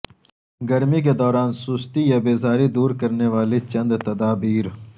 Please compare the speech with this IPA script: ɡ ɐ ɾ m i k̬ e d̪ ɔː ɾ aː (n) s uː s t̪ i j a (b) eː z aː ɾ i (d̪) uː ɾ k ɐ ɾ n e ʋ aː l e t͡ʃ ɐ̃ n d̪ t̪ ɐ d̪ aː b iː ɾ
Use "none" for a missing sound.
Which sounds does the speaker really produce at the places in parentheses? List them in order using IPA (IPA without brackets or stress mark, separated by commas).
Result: n, b, d̪